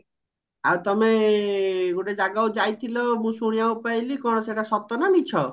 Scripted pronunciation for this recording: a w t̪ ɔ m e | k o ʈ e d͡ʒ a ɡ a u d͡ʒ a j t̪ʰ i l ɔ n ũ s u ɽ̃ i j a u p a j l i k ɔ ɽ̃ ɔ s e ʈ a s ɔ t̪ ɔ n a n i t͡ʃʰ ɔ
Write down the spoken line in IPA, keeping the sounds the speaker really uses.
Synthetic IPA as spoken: a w t̪ ɔ m e | ɡ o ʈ e d͡ʒ a ɡ a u d͡ʒ a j t̪ʰ i l ɔ m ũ s u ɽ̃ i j a u p a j l i k ɔ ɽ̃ ɔ s e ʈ a s ɔ t̪ ɔ n a n i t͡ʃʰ ɔ